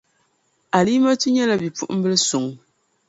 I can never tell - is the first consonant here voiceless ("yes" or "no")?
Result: no